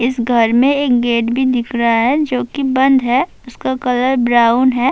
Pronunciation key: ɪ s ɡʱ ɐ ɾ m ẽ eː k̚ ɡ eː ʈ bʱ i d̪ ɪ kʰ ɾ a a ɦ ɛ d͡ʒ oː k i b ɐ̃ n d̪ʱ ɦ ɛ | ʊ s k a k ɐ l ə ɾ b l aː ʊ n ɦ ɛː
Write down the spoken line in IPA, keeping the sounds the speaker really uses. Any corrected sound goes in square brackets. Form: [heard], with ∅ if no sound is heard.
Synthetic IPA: ɪ s ɡʱ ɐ ɾ m ẽ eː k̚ ɡ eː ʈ bʱ i d̪ ɪ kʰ ɾ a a ɦ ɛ d͡ʒ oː k i b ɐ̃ n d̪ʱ ɦ ɛ | ʊ s k a k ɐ l ə ɾ b [ɾ] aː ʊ n ɦ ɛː